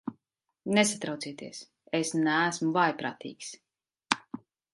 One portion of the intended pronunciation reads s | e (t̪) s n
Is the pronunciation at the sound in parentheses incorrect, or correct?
incorrect